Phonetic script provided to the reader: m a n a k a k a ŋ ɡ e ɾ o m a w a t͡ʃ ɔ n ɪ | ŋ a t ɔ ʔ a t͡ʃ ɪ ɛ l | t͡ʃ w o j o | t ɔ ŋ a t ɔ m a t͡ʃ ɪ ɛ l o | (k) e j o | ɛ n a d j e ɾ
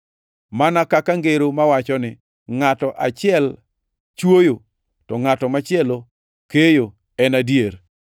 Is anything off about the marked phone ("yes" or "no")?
no